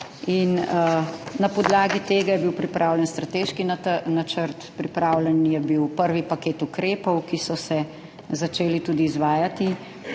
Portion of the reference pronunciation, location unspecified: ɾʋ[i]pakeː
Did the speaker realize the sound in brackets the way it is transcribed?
yes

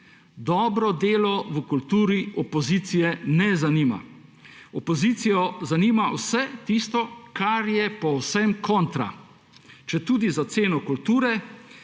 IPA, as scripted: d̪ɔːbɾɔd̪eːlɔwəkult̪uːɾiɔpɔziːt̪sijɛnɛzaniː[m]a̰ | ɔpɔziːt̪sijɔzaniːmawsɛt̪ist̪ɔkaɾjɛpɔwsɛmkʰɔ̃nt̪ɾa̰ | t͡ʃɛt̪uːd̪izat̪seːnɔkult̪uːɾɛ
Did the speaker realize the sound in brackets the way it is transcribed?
yes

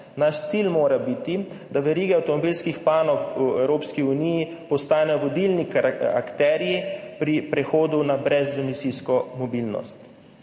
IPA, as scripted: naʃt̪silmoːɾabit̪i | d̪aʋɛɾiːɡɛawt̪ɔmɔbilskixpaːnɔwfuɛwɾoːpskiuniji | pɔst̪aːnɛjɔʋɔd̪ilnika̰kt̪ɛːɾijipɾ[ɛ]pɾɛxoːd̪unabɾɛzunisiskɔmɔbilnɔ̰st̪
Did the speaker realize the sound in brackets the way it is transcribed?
no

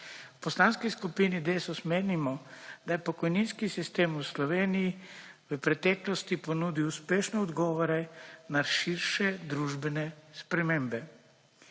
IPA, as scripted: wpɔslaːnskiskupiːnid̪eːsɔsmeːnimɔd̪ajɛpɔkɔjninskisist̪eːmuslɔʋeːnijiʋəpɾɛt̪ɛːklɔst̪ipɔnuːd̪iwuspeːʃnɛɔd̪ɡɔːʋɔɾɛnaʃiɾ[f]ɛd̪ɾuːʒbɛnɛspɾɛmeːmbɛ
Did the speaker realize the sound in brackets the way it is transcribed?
no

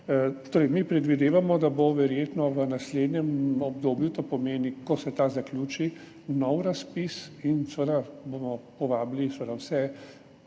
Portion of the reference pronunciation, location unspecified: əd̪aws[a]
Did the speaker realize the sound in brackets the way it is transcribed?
no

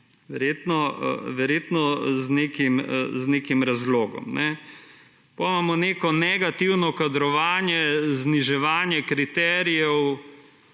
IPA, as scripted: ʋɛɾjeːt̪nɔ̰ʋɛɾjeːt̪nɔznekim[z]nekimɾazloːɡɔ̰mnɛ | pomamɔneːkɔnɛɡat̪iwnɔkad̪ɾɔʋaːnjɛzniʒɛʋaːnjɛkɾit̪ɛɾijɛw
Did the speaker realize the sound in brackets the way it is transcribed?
yes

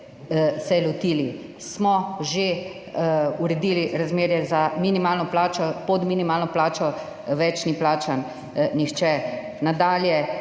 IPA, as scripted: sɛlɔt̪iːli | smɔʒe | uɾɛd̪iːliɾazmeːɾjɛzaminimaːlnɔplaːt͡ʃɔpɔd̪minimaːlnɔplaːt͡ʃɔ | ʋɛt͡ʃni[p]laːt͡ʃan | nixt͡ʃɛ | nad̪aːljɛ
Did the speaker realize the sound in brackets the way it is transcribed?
yes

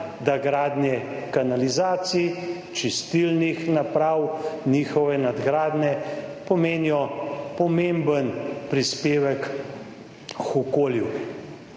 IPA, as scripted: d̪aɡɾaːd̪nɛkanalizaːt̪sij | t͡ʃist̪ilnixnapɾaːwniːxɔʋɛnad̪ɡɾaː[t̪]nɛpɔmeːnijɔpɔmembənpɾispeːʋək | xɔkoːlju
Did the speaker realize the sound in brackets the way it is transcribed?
no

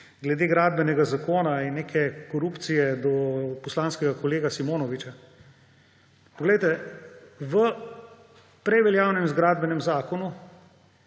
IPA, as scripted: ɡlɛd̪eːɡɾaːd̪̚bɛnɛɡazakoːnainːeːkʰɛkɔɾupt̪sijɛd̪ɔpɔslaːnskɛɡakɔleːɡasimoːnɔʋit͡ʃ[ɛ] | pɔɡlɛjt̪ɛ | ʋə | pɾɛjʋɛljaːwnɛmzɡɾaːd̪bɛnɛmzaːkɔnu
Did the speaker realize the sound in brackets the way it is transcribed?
no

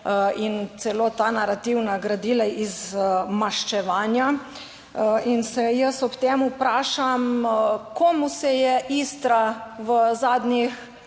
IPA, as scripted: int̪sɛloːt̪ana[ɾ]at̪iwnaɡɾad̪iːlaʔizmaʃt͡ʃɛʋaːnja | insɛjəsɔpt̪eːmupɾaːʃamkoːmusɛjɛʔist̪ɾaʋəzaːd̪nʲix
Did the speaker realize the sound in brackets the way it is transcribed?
yes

